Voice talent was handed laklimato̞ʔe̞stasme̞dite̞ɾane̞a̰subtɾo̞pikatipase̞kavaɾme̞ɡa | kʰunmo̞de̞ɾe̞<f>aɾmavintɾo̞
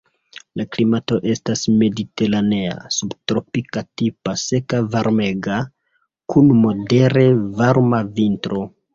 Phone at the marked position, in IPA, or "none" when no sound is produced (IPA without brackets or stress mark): v